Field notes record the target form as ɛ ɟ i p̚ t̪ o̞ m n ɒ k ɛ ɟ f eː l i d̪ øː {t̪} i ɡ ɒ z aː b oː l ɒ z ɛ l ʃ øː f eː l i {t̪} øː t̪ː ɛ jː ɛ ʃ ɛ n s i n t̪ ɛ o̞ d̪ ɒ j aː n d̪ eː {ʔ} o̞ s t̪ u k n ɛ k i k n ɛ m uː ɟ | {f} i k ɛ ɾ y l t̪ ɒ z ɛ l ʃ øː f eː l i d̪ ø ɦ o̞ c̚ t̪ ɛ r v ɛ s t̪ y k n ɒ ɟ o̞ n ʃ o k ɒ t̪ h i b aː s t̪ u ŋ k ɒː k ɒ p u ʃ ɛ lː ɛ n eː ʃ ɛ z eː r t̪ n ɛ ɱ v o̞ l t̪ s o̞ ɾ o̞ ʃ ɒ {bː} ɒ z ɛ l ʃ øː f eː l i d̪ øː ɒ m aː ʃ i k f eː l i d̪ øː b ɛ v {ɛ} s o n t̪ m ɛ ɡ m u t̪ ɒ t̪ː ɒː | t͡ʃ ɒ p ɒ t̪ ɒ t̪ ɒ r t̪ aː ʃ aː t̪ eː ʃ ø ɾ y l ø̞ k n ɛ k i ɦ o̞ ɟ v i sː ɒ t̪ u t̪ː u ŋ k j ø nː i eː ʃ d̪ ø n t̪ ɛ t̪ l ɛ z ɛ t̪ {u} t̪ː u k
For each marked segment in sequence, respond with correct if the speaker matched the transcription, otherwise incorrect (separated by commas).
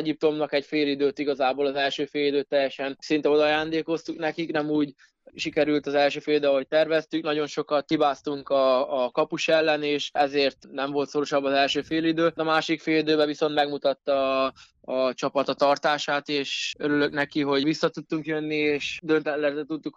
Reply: correct, incorrect, incorrect, incorrect, correct, incorrect, correct